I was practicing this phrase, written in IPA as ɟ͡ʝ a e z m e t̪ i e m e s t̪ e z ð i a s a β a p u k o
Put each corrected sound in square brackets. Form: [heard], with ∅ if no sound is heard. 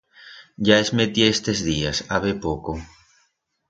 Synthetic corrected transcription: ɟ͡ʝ a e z m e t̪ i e [∅] e s t̪ e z ð i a s a β [e] p [o] k o